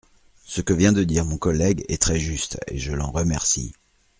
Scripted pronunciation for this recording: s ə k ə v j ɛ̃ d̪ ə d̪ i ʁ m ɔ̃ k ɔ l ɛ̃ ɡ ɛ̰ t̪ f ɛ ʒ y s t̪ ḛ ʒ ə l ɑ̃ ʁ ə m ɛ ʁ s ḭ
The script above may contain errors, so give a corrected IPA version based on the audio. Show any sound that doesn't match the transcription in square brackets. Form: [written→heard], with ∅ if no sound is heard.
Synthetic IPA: s ə k ə v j ɛ̃ d̪ ə d̪ i ʁ m ɔ̃ k ɔ l [ɛ̃→ɛ] ɡ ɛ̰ t̪ [f→χ] ɛ ʒ y s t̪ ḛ ʒ ə l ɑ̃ ʁ ə m ɛ ʁ s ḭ